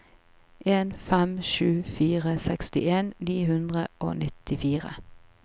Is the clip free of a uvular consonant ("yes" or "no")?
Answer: no